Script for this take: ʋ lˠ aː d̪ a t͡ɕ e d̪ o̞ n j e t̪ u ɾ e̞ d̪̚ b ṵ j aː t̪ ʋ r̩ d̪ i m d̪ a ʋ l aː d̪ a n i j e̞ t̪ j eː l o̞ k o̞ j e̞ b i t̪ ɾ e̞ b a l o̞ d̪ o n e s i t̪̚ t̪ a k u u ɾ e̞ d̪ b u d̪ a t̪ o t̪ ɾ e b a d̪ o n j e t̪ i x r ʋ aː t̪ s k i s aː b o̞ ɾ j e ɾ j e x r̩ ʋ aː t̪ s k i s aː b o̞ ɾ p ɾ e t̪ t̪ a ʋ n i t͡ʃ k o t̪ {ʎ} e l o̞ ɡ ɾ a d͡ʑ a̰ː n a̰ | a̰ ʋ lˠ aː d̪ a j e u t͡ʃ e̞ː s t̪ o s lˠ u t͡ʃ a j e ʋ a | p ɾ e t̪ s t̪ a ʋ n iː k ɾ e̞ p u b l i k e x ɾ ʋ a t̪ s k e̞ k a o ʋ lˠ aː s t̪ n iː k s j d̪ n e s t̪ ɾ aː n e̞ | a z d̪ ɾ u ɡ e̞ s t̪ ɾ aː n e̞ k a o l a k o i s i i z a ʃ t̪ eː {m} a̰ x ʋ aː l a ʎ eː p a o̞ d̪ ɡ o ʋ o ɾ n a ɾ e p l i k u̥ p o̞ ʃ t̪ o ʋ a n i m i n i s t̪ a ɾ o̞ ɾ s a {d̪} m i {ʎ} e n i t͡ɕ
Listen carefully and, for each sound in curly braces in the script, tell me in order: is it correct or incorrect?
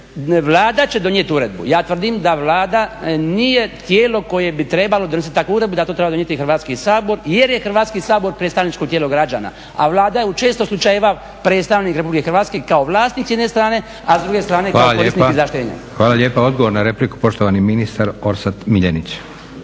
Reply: incorrect: j, incorrect: ɲ, incorrect: t̪, correct

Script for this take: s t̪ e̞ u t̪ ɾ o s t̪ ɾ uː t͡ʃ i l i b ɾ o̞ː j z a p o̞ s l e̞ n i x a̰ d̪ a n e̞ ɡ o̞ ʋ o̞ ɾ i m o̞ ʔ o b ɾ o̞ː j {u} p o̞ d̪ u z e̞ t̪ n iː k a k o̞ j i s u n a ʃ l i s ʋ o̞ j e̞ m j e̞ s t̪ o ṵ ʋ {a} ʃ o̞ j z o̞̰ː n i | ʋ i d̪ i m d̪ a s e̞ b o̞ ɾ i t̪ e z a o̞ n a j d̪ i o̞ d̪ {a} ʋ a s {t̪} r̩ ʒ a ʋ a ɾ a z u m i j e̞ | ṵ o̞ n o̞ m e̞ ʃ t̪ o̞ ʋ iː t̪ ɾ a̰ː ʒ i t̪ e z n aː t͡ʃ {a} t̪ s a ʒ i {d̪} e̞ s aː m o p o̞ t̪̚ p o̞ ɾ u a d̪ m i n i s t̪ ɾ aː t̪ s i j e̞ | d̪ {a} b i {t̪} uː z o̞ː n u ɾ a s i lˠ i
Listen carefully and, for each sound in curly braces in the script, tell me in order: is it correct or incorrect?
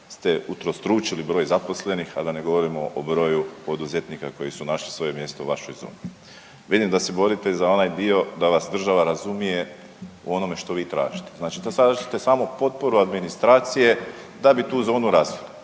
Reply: correct, correct, correct, incorrect: d̪, incorrect: i, incorrect: t̪, correct, correct

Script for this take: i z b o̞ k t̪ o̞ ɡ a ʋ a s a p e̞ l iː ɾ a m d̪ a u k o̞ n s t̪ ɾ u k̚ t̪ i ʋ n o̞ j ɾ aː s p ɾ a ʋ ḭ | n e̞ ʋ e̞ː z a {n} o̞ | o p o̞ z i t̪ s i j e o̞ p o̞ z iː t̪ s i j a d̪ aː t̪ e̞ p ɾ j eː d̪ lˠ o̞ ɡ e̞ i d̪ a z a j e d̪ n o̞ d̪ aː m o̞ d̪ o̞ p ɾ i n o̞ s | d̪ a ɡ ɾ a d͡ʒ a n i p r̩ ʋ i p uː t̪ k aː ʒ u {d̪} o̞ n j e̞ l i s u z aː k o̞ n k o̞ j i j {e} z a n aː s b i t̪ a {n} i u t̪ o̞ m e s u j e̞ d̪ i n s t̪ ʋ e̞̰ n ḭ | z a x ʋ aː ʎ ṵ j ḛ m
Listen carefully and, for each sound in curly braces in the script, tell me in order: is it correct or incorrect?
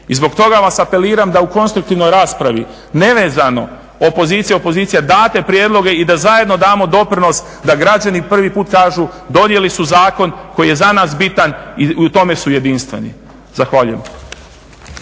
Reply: correct, correct, correct, correct

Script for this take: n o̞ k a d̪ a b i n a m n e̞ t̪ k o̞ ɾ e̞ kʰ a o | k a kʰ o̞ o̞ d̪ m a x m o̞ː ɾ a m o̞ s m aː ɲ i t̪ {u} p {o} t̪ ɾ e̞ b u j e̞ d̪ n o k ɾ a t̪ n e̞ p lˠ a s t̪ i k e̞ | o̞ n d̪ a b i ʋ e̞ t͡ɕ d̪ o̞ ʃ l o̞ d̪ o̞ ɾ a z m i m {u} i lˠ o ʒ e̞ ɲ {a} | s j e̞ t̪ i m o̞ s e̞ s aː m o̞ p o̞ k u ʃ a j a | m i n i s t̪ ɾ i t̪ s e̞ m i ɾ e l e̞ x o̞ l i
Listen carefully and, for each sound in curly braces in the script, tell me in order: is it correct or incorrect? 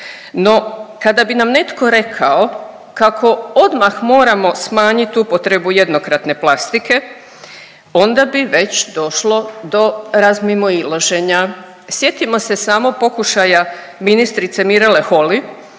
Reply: correct, correct, incorrect: o, correct

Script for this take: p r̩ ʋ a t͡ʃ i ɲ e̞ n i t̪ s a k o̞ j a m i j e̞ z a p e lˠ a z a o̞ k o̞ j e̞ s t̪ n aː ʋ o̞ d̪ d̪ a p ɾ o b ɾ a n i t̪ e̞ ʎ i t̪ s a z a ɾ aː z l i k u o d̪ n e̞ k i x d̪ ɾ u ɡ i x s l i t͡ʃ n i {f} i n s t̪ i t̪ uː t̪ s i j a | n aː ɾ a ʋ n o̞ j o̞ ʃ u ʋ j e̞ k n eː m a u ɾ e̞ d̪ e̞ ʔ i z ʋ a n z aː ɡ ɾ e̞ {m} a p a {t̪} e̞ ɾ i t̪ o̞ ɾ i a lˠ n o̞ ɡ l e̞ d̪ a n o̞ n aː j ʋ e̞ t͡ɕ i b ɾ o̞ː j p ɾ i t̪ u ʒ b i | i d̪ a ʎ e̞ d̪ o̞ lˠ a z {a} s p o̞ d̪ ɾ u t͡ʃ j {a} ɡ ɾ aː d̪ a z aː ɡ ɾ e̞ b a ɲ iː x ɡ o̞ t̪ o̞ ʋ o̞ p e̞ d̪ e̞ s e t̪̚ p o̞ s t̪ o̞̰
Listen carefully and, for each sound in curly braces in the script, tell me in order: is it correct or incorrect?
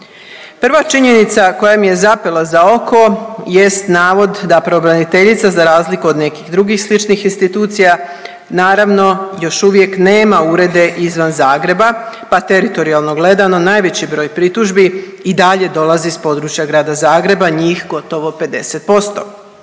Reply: incorrect: x, incorrect: b, correct, incorrect: i, correct

